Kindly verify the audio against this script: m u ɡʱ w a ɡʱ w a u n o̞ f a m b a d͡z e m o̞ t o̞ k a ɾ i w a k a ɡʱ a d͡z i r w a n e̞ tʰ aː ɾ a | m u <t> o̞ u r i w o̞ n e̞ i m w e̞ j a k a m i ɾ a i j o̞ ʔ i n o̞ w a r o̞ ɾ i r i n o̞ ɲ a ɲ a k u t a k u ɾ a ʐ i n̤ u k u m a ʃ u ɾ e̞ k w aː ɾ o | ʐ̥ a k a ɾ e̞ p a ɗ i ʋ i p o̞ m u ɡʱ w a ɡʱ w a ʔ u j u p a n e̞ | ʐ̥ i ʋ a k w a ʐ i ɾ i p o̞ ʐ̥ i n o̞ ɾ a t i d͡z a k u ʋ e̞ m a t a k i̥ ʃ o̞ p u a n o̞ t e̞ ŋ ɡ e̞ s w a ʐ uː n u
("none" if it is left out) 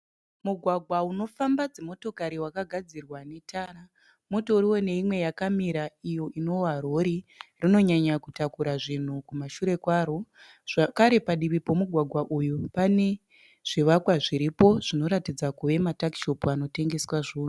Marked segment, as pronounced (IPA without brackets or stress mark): t